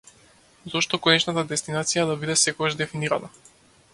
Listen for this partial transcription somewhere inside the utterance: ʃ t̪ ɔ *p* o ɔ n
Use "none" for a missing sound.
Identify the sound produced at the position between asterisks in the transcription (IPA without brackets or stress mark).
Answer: k